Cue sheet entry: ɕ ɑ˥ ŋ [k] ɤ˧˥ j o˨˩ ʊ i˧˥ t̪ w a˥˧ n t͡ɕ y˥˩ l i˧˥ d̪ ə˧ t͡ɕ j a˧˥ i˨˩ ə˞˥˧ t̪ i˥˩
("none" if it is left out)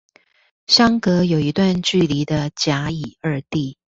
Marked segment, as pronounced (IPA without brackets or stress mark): k